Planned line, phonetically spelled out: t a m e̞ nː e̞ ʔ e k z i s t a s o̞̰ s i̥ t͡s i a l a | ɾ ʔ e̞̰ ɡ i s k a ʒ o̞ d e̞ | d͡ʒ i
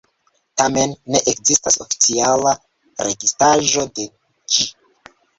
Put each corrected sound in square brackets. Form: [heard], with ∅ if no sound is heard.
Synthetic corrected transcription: t a m e̞ nː e̞ ʔ e k z i s t a s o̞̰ [f] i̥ t͡s i a l a | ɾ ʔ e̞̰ ɡ i s [t] a ʒ o̞ d e̞ | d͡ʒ i